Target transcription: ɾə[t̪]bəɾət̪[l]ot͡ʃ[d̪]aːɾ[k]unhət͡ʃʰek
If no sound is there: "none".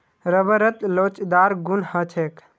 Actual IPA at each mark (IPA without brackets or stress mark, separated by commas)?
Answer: none, l, d̪, ɡ